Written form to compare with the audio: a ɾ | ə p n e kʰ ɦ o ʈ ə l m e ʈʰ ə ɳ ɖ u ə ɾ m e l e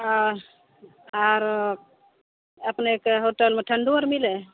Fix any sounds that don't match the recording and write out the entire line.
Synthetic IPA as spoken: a ɾ | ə p n e k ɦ o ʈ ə l m e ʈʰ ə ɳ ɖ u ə ɾ m i l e